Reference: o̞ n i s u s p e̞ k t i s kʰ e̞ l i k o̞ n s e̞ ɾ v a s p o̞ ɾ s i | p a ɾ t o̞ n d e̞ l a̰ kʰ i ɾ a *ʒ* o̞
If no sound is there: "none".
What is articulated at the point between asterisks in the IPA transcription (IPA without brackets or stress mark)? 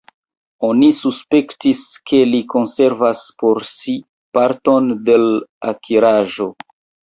ʒ